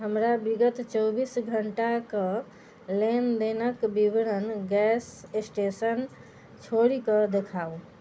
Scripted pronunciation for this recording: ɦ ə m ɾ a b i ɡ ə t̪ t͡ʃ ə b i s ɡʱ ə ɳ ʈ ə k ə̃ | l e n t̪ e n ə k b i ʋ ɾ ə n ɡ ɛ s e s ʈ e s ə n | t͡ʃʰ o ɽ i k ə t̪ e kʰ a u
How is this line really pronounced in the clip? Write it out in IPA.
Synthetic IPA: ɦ ə m ɾ a b i ɡ ə t̪ t͡ʃ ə b i s ɡʱ ə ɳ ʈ a k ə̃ | l e n d̪ e n ə k b i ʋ ɾ ə n ɡ ɛ s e s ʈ e s ə n | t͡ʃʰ o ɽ i k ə d̪ e kʰ a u